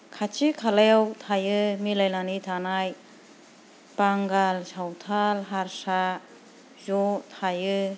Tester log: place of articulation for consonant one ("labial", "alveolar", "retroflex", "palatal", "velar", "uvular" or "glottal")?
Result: velar